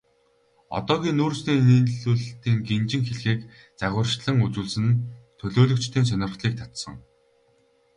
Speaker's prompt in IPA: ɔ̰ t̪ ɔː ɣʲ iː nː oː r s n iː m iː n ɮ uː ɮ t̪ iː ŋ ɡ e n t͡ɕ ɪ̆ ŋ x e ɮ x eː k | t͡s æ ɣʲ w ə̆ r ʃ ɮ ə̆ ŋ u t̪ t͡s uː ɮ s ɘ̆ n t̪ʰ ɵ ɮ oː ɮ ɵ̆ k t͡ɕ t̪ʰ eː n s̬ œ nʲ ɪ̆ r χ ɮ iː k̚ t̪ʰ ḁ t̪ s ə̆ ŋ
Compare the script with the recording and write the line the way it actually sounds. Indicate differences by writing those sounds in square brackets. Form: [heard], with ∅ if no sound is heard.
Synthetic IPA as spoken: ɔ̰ t̪ ɔː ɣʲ iː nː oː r s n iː [n] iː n ɮ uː ɮ t̪ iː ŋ ɡ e n t͡ɕ ɪ̆ ŋ x e ɮ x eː k | t͡s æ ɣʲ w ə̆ r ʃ ɮ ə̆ ŋ u [∅] t͡s uː ɮ s ɘ̆ n t̪ʰ ɵ ɮ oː ɮ ɵ̆ k t͡ɕ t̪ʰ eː n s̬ œ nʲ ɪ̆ r χ ɮ iː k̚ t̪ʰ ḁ t̪ s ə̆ ŋ

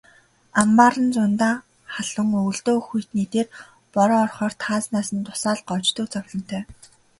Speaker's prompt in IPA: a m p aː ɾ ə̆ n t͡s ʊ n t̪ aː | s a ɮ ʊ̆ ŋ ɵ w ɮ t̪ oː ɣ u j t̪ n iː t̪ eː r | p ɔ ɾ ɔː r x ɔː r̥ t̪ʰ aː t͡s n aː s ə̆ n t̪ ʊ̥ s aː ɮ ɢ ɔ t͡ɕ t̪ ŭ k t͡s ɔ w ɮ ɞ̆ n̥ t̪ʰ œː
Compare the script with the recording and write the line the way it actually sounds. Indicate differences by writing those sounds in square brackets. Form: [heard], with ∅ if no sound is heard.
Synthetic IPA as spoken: a m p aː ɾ ə̆ n t͡s ʊ n t̪ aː | [χ] a ɮ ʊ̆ ŋ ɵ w ɮ t̪ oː [x] u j t̪ n iː t̪ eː r | p ɔ ɾ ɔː r [χ] ɔː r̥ t̪ʰ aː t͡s n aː s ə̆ n t̪ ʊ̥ s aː ɮ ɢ ɔ t͡ɕ t̪ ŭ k t͡s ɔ w ɮ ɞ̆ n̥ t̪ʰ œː

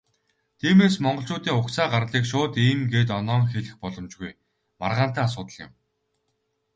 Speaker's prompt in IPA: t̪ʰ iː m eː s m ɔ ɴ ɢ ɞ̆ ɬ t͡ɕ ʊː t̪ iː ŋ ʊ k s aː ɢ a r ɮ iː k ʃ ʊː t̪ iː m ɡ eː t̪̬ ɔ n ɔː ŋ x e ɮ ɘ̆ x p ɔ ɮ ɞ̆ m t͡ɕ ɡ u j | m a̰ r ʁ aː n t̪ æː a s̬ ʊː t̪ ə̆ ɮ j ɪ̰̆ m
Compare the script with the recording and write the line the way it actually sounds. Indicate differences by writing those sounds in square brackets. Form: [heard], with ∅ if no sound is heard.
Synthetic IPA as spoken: t̪ʰ iː m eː s m ɔ ɴ ɢ ɞ̆ ɬ t͡ɕ ʊː t̪ iː ŋ ʊ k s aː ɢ a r ɮ iː k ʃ ʊː t̪ iː m ɡ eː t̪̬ ɔ n ɔː ŋ x e ɮ ɘ̆ x p ɔ ɮ ɞ̆ m t͡ɕ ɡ u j | m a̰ r ʁ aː n t̪ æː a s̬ ʊː t̪ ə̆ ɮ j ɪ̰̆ m

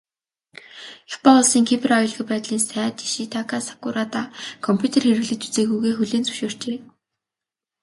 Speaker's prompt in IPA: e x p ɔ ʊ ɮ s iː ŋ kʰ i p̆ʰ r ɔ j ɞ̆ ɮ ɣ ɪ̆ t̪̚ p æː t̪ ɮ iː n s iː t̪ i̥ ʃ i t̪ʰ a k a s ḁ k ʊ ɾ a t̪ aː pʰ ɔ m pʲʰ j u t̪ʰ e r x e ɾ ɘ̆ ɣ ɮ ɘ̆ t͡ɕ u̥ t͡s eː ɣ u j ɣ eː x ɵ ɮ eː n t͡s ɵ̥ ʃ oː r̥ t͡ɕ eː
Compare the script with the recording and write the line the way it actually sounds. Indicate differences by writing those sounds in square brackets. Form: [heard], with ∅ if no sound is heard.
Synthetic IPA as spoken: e x p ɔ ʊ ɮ s iː ŋ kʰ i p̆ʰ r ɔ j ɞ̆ ɮ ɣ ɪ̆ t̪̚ p æː t̪ ɮ iː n s [æː] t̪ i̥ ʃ i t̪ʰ a k a s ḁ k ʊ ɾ a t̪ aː [kʰ] ɔ m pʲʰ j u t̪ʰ e r x e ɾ ɘ̆ ɣ ɮ ɘ̆ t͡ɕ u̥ t͡s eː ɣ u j ɣ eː x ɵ ɮ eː n t͡s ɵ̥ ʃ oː r̥ t͡ɕ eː

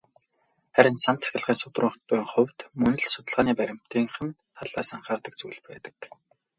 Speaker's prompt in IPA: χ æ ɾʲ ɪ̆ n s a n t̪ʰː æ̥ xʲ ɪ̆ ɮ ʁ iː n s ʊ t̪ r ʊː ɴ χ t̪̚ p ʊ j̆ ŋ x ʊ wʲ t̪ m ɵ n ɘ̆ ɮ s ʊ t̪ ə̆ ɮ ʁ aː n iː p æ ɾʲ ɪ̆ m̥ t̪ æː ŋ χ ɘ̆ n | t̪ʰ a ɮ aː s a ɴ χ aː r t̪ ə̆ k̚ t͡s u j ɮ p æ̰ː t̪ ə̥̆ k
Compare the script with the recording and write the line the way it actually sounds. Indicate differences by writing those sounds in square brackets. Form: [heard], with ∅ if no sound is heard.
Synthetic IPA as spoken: χ æ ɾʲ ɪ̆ n s a n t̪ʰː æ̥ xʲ ɪ̆ ɮ ʁ iː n s ʊ t̪ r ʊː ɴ χ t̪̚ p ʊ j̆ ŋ [χ] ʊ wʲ t̪ m ɵ n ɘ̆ ɮ s ʊ t̪ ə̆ ɮ ʁ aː n iː p æ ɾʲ ɪ̆ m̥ t̪ [iː] ŋ χ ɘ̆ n | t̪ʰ a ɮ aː s a ɴ χ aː r t̪ ə̆ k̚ t͡s u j ɮ p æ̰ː t̪ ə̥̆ k

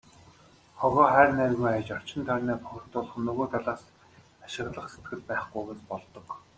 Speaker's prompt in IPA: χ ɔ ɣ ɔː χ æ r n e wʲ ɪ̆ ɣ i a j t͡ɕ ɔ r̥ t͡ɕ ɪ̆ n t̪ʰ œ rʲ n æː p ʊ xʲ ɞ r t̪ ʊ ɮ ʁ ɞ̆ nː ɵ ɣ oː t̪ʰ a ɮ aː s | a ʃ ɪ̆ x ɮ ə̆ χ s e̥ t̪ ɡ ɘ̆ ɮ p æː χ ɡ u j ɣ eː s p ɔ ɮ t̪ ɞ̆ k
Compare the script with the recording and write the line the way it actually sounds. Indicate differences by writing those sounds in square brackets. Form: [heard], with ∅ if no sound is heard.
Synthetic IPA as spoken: χ ɔ ɣ ɔː χ æ r n [æ] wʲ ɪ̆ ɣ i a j t͡ɕ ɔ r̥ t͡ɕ ɪ̆ n t̪ʰ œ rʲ n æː p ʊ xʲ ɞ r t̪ ʊ ɮ [χ] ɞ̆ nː ɵ ɣ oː t̪ʰ a ɮ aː s | a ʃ ɪ̆ [ɣ] ɮ ə̆ χ s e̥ t̪ ɡ ɘ̆ ɮ p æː χ ɡ u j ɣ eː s p ɔ ɮ t̪ ɞ̆ k

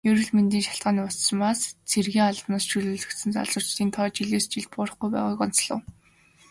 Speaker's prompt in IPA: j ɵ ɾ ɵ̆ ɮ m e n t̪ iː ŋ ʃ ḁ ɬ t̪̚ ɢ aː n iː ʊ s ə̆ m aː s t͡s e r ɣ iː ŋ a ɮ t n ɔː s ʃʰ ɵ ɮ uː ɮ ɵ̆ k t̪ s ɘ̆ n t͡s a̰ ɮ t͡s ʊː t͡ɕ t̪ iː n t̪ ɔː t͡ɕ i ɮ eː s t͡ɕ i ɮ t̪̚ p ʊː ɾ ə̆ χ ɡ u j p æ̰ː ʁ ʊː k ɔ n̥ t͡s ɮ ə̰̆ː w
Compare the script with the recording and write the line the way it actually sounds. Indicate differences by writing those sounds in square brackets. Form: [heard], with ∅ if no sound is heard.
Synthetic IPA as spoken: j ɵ ɾ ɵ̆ ɮ m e n t̪ iː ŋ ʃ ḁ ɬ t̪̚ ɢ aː n iː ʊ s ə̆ m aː s [t͡sʰ] e r ɣ iː ŋ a ɮ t n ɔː s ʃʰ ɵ ɮ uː ɮ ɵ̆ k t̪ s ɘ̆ n t͡s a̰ ɮ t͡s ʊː t͡ɕ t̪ iː n [t̪ʰ] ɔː t͡ɕ i ɮ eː s t͡ɕ i ɮ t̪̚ p ʊː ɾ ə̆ χ ɡ u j p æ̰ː ʁ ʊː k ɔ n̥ t͡s ɮ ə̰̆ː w

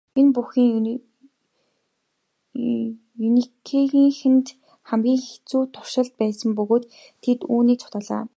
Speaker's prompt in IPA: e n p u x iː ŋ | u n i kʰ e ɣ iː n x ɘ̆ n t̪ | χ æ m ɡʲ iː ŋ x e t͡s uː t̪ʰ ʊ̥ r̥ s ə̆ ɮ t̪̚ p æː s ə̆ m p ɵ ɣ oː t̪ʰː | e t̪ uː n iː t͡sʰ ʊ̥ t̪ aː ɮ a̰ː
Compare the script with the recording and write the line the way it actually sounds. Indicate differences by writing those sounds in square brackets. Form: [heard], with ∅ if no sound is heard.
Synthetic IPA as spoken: e n p u x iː ŋ | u n i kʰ e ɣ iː [ŋ] x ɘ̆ n t̪ | χ æ m ɡʲ iː ŋ x e t͡s uː t̪ʰ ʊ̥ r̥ [ʃ] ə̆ ɮ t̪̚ p æː s ə̆ m p ɵ ɣ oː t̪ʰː | e t̪ uː n iː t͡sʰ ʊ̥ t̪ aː ɮ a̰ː

